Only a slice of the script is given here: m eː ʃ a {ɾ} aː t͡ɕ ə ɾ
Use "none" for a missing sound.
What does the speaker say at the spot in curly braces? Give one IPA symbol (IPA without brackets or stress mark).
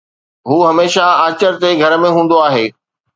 none